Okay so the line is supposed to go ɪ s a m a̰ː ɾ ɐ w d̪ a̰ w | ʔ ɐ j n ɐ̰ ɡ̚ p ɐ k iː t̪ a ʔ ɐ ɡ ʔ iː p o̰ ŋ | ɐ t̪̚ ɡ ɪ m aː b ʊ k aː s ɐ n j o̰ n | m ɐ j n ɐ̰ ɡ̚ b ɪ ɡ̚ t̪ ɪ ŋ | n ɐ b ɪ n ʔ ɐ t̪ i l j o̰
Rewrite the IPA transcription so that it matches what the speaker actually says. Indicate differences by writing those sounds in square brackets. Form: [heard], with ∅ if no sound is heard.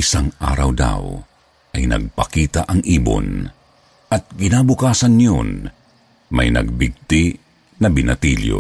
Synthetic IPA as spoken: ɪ s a [ŋ] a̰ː ɾ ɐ w d̪ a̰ w | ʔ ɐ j n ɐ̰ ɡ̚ p ɐ k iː t̪ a ʔ ɐ [ŋ] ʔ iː [b] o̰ [n] | ɐ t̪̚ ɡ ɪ [n] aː b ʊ k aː s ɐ n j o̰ n | m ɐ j n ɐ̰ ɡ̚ b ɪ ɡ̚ t̪ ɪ [∅] | n ɐ b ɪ n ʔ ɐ t̪ i l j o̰